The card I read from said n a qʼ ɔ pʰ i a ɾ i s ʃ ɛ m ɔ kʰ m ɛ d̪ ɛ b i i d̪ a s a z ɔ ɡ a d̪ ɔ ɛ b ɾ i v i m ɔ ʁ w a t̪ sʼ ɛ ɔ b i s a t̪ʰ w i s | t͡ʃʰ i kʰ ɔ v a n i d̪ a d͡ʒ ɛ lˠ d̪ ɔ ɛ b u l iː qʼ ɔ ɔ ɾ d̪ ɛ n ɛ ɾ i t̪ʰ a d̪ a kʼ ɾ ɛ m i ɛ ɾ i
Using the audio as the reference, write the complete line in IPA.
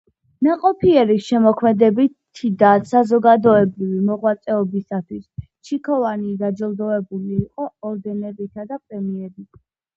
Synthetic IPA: n a qʼ ɔ pʰ i ɛ ɾ i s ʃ ɛ m ɔ kʰ m ɛ d̪ ɛ b i i d̪ a s a z ɔ ɡ a d̪ ɔ ɛ b ɾ i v i m ɔ ʁ w a t̪ sʼ ɛ ɔ b i s a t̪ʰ w i s | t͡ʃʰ i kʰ ɔ v a n i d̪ a d͡ʒ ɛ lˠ d̪ ɔ ɛ b u l iː qʼ ɔ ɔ ɾ d̪ ɛ n ɛ ɾ i t̪ʰ a d̪ a pʼ ɾ ɛ m i ɛ ɾ i